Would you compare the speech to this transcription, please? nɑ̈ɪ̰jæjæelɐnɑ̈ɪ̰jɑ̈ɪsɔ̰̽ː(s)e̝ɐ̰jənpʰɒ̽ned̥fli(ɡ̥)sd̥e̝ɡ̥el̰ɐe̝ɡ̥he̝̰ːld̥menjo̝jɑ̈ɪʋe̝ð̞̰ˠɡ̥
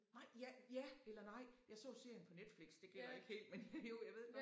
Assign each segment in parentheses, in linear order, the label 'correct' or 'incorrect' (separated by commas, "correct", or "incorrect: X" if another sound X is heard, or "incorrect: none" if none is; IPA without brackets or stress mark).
correct, correct